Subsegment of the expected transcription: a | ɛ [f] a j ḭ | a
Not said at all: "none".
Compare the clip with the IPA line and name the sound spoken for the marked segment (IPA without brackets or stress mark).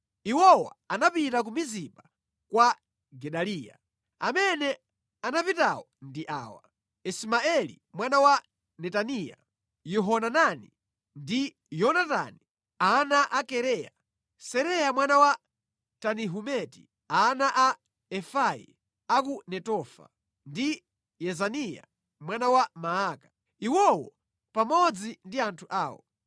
f